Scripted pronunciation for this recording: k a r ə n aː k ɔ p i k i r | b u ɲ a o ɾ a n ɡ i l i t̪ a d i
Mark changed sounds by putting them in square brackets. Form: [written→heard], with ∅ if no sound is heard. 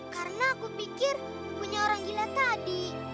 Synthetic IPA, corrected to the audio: k a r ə n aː k [ɔ→u] p i k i r | [b→p] u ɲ a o ɾ a [n→ŋ] ɡ i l [i→a] t̪ a d i